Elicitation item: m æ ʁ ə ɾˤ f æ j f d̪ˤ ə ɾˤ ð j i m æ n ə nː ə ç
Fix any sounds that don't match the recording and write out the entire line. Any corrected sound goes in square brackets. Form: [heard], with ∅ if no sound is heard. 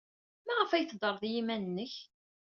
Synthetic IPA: m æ ʁ ə [∅] f æ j [θ] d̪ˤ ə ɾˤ ð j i m æ n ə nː ə ç